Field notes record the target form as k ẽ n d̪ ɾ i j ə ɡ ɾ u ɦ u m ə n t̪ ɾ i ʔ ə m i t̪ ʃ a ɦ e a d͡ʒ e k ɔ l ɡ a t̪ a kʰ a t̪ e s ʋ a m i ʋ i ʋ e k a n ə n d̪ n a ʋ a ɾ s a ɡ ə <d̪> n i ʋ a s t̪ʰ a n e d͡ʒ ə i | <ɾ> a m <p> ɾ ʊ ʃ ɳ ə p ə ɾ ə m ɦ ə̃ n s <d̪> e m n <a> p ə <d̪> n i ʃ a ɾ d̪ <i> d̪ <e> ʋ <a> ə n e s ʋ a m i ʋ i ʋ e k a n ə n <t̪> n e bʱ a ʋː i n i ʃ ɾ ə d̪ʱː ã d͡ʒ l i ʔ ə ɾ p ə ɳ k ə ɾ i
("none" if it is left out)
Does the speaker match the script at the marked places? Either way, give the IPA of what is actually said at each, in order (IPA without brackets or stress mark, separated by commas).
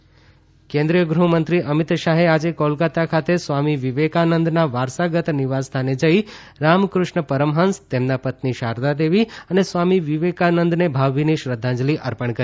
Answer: t̪, ɾ, k, t̪, a, t̪, a, e, i, d̪